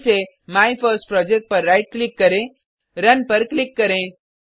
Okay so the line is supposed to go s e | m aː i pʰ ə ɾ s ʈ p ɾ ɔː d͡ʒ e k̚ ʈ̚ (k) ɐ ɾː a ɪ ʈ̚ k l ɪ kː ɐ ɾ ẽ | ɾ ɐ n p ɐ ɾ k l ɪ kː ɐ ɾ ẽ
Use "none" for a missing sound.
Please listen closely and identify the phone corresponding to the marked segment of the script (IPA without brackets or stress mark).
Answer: p